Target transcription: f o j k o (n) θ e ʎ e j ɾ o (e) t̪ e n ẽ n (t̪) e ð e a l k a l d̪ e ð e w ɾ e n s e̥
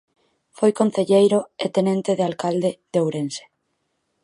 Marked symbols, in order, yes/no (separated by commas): yes, yes, yes